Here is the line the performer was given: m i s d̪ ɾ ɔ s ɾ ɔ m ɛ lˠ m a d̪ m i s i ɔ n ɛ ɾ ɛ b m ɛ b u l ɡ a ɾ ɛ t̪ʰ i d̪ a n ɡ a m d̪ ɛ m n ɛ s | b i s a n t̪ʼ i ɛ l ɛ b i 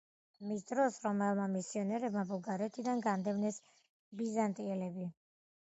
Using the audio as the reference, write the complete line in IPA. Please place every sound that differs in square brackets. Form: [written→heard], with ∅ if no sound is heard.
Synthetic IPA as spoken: m i s d̪ ɾ ɔ s ɾ ɔ m ɛ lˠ m a [d̪→∅] m i s i ɔ n ɛ ɾ ɛ b m [ɛ→a] b u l ɡ a ɾ ɛ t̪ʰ i d̪ a n ɡ a [m→n] d̪ ɛ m n ɛ s | b i [s→z] a n t̪ʼ i ɛ l ɛ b i